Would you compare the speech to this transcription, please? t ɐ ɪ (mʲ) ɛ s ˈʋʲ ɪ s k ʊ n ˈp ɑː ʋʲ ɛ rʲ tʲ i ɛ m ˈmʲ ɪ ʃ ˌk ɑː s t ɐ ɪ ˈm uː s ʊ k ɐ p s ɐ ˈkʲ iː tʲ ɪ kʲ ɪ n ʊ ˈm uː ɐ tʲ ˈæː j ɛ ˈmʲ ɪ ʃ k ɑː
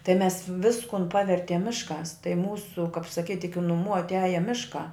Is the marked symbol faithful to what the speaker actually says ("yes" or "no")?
yes